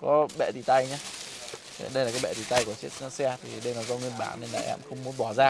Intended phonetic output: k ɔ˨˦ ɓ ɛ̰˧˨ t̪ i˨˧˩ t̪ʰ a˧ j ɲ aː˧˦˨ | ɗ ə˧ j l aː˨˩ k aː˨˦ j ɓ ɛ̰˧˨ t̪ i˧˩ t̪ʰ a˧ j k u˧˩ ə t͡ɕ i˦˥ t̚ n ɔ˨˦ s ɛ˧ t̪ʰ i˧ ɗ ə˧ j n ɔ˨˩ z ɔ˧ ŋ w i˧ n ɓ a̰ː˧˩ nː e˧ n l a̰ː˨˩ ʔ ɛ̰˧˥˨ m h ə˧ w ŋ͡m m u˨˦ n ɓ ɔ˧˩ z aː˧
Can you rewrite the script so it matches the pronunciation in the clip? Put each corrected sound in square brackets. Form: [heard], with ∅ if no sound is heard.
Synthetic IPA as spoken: k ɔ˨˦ ɓ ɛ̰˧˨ t̪ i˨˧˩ [t̪] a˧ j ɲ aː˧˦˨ | ɗ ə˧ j l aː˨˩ k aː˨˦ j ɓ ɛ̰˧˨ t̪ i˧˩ [t̪] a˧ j k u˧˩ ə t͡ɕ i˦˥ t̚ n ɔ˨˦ s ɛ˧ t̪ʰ [i˨˩] ɗ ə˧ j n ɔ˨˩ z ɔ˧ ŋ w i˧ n ɓ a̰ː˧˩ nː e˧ n l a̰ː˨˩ ʔ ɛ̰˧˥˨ m [x] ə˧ w ŋ͡m m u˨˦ n ɓ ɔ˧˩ z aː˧